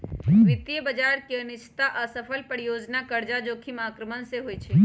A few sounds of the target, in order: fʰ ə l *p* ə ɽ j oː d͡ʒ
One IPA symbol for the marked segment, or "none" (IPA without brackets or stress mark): p